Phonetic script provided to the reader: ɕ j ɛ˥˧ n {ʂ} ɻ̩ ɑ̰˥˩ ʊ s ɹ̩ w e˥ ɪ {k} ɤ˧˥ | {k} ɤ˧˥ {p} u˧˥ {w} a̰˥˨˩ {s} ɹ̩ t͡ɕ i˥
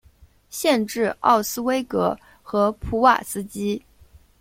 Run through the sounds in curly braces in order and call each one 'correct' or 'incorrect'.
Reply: incorrect: ʈ͡ʂ, correct, incorrect: x, incorrect: pʰ, correct, correct

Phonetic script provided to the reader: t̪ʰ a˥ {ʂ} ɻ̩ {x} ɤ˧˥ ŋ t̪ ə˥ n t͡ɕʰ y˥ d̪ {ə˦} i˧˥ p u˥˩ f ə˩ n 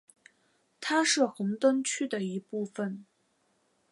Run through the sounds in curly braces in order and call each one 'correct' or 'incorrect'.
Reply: correct, correct, incorrect: ə˨

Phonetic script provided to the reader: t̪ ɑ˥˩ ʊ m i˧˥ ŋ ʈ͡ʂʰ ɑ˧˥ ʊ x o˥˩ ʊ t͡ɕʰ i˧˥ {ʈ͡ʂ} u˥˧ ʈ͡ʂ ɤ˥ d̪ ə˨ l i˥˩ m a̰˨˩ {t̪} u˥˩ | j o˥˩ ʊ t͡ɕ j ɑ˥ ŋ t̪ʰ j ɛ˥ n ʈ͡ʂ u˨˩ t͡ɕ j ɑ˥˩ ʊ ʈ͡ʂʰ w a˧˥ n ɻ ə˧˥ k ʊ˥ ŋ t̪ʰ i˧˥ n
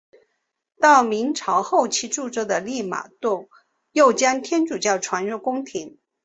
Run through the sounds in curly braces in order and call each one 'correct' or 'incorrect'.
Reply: correct, correct

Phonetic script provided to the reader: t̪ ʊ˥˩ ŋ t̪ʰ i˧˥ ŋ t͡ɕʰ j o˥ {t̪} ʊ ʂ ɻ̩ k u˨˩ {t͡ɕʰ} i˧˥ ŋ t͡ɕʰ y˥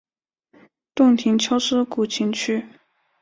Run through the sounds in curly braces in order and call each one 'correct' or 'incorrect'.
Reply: incorrect: none, correct

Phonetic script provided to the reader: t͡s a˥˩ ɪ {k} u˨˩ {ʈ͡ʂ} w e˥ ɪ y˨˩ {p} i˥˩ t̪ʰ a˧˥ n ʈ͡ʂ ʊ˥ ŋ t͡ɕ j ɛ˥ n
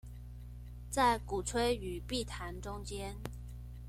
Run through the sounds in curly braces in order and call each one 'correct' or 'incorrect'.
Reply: correct, incorrect: ʈ͡ʂʰ, correct

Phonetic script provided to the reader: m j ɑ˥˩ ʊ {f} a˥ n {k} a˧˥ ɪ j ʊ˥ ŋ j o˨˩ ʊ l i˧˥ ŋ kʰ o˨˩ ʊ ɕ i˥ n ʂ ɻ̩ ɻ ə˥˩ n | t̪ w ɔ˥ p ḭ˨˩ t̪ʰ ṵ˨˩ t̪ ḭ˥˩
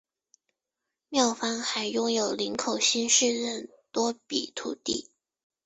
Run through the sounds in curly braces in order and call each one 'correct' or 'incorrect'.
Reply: correct, incorrect: x

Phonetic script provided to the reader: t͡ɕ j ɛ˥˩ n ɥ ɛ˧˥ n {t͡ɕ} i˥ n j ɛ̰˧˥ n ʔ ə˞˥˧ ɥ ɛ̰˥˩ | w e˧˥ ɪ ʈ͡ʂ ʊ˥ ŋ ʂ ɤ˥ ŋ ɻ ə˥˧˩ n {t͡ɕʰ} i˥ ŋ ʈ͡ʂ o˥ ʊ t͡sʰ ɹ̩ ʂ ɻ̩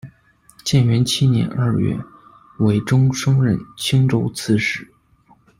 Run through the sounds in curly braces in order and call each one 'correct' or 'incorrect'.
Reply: incorrect: t͡ɕʰ, correct

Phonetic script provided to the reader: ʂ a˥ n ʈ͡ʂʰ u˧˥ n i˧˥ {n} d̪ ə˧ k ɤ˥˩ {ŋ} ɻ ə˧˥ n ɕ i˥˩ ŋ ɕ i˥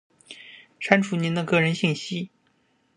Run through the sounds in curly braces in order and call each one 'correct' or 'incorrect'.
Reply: correct, incorrect: none

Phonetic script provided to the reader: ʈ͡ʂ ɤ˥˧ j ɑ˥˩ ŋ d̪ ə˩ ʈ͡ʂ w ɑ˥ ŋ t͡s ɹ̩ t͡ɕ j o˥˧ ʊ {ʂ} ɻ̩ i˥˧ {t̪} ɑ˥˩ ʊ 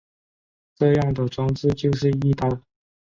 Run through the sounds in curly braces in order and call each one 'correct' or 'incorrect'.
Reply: correct, correct

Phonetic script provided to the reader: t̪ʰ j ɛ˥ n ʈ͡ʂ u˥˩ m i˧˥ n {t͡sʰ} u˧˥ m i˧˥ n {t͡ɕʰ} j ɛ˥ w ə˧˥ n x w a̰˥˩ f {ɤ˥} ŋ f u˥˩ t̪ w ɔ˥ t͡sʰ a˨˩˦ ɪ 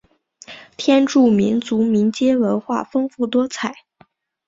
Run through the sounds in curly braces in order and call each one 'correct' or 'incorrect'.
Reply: incorrect: t͡s, incorrect: t͡ɕ, correct

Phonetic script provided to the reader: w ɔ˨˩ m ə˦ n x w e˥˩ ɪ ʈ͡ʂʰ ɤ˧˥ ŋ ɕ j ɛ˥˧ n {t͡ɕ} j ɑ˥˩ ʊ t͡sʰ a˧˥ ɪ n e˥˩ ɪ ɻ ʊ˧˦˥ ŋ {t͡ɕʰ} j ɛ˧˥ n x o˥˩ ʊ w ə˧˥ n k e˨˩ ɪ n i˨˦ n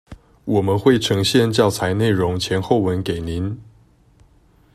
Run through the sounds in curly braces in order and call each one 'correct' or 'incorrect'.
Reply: correct, correct

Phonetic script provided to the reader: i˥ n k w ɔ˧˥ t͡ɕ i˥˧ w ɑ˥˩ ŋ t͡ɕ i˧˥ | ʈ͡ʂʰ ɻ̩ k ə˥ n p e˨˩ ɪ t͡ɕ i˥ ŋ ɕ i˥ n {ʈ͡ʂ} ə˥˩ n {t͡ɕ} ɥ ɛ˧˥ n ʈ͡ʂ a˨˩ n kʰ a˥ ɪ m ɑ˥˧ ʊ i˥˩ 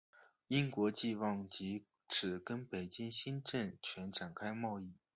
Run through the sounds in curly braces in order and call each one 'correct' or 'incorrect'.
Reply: correct, incorrect: t͡ɕʰ

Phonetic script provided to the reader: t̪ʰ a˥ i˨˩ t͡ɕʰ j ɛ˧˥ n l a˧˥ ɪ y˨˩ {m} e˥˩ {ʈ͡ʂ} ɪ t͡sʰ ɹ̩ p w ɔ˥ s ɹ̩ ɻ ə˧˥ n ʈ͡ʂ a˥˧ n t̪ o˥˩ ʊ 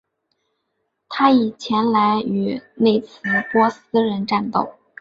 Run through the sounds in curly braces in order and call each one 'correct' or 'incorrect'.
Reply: incorrect: n, incorrect: none

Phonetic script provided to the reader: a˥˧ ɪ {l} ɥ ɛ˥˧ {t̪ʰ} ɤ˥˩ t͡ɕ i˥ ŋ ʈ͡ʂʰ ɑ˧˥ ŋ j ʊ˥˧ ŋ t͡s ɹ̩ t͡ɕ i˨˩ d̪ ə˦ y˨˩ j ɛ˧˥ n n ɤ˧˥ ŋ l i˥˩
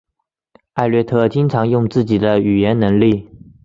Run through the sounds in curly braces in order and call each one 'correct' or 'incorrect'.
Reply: correct, correct

